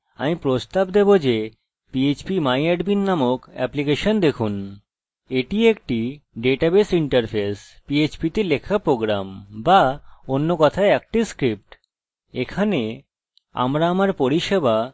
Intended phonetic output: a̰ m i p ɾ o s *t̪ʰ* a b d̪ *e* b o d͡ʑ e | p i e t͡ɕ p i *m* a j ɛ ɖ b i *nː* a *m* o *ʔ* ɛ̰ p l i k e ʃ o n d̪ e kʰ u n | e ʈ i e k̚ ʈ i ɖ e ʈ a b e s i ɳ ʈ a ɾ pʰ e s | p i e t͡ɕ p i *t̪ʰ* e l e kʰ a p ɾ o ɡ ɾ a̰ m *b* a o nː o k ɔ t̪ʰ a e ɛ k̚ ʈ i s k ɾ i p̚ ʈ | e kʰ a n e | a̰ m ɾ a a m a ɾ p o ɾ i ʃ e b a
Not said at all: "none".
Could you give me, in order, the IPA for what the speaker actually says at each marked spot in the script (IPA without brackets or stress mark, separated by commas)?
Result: t̪, e, m, nː, m, k, t̪, b